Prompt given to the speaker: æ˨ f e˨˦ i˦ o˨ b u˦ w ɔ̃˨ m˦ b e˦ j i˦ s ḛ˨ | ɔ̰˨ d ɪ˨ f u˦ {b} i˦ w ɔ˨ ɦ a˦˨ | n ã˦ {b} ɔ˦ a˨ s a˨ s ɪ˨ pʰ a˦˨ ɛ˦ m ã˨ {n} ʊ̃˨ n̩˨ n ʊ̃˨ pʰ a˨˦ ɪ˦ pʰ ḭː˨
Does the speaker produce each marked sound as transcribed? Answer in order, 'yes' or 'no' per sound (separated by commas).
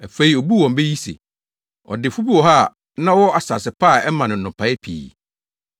yes, no, yes